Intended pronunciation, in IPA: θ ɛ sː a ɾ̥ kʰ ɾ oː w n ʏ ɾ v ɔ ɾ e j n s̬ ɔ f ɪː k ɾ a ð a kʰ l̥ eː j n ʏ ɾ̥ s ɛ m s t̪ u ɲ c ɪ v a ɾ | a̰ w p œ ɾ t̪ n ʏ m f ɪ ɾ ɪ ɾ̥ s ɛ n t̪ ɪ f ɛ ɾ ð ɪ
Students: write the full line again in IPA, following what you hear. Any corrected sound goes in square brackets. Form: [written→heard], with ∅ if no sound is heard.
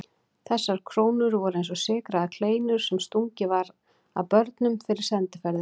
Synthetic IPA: θ ɛ sː a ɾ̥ kʰ ɾ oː w n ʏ ɾ v ɔ ɾ e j n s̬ ɔ [f→s] ɪː k ɾ a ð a kʰ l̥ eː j n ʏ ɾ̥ s ɛ m s t̪ u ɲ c ɪ v a ɾ | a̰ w p œ ɾ t̪ n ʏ m f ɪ ɾ ɪ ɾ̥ s ɛ n t̪ ɪ f ɛ ɾ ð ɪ